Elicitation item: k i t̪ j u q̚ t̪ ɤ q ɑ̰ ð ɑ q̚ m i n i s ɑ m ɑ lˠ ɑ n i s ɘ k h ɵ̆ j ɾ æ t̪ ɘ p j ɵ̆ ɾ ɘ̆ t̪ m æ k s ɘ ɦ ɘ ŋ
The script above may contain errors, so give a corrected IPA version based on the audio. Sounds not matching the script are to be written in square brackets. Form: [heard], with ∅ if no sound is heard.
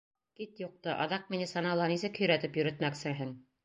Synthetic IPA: k i t̪ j u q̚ t̪ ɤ [ʔ] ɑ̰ ð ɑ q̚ m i n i s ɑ [n] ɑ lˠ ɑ n i s ɘ k h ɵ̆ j ɾ æ t̪ ɘ p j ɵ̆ ɾ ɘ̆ t̪ m æ k s ɘ ɦ ɘ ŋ